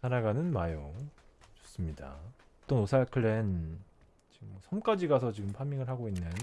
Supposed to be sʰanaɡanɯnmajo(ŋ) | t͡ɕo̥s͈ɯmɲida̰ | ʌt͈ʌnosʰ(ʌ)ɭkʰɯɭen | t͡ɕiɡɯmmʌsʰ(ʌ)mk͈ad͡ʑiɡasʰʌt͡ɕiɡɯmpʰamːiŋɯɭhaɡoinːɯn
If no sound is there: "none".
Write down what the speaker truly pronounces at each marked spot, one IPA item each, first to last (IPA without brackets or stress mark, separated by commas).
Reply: ŋ, a, ʌ